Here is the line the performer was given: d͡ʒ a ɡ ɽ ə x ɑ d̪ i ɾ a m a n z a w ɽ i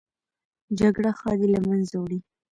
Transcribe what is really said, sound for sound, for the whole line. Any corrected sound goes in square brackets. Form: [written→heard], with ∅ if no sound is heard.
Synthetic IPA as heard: d͡ʒ a ɡ ɽ [ə→a] x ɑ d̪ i [ɾ→l] a m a n z a w ɽ i